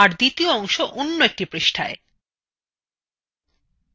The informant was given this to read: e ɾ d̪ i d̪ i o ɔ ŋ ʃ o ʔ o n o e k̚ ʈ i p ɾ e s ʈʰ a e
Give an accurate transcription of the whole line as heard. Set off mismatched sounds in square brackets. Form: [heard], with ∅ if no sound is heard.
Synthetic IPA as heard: [a] ɾ d̪ i [t̪] i o ɔ ŋ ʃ o ʔ o [nː] o e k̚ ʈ i p ɾ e [ʃ] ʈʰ a e